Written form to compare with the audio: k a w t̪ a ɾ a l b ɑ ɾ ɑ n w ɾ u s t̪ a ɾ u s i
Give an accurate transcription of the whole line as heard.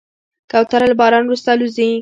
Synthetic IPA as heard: k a w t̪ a ɾ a l b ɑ ɾ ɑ n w ɾ u s t̪ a l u z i

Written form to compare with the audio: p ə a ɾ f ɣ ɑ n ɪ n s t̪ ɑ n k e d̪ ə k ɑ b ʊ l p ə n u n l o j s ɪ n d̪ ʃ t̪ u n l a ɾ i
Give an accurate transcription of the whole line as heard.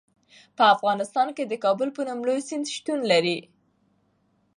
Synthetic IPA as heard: p ə a f ɣ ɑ n ɪ s t̪ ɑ n k e d̪ ə k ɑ b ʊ l p ə n u m l o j s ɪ n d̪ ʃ t̪ u n l a ɾ i

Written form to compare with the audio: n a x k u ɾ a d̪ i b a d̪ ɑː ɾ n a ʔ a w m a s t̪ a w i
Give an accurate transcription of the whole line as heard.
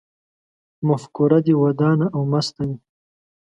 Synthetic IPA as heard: m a f k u ɾ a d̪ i w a d̪ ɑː n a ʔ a w m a s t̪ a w i

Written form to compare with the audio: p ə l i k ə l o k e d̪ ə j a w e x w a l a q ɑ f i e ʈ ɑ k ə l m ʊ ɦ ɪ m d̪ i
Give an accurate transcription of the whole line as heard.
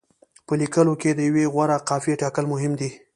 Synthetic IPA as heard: p ə l i k ə l o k e d̪ ə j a w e ɣ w a ɾ a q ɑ f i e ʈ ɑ k ə l m ʊ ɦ ɪ m d̪ i

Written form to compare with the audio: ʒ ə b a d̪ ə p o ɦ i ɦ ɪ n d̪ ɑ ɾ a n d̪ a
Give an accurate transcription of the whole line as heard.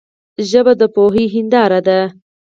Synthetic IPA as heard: ʒ ə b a d̪ ə p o ɦ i ɦ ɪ n d̪ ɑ ɾ a d̪ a

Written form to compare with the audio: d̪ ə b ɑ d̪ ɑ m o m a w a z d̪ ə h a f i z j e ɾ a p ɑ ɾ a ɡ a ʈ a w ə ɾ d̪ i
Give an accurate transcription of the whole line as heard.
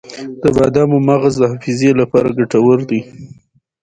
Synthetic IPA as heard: d̪ ə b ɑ d̪ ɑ m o m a ɣ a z d̪ ə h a f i z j e l a p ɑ ɾ a ɡ a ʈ a w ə ɾ d̪ i

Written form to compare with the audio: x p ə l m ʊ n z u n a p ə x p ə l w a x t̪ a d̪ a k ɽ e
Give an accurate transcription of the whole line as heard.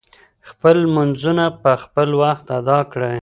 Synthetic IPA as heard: x p ə l m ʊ n z u n a p ə x p ə l w a x t̪ a d̪ ɑ k ɽ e

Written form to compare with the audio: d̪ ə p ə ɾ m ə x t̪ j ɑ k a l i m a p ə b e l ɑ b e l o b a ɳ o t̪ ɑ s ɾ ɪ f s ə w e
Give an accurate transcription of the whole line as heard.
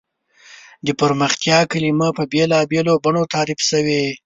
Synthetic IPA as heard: d̪ ə p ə ɾ m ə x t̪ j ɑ k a l i m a p ə b e l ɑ b e l o b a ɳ o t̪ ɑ ɾ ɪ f s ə w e

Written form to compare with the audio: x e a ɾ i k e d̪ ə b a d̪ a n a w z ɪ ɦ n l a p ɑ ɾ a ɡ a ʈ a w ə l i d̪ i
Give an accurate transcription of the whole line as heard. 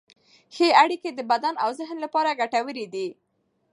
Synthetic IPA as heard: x e a ɽ i k e d̪ ə b a d̪ a n a w z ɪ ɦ n l a p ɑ ɾ a ɡ a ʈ a w ə ɾ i d̪ i

